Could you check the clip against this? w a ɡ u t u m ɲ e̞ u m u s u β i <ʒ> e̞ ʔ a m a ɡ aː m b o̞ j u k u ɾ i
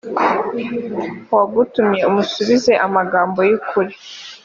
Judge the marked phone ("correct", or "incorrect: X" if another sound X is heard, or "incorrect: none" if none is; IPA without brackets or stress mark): incorrect: z